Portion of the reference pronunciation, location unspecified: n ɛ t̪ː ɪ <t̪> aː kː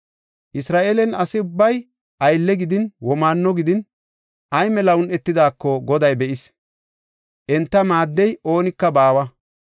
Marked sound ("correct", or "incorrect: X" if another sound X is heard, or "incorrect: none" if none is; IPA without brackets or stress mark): incorrect: d̪